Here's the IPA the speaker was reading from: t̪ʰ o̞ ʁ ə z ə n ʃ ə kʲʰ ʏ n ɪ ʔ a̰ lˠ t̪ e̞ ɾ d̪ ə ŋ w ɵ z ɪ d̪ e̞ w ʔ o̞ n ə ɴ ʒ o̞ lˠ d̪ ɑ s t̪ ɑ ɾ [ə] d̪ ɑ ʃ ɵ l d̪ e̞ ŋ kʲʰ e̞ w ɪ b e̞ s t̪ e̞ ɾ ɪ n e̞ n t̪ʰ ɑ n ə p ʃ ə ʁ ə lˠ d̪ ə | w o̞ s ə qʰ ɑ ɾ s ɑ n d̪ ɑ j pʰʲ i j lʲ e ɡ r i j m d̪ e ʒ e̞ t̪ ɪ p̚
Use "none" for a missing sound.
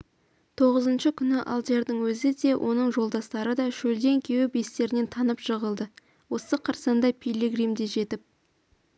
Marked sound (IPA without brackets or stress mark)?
ə